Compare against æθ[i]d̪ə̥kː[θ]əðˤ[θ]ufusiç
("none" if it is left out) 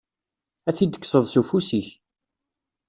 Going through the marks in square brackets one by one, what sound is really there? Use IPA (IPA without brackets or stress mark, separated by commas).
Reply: i, s, s